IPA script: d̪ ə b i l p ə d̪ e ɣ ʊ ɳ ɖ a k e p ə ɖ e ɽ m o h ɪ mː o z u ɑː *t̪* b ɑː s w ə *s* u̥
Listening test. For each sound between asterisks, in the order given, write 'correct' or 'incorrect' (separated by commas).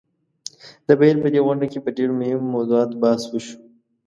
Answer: correct, incorrect